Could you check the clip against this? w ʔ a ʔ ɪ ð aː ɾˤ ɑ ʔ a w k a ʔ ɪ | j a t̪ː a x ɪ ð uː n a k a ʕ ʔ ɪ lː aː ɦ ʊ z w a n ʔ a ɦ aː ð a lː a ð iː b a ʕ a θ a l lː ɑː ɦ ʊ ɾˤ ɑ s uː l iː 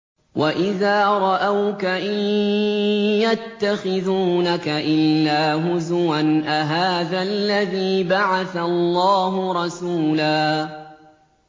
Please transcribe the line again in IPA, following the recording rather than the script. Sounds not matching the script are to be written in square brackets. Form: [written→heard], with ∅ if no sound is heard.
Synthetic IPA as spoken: w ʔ a ʔ ɪ ð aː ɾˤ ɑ ʔ a w k a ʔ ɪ | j a t̪ː a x ɪ ð uː n a k a [ʕ→∅] ʔ ɪ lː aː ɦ ʊ z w a n ʔ a ɦ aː ð a lː a ð iː b a ʕ a θ a l lː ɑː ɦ ʊ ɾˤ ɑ s uː l [iː→aː]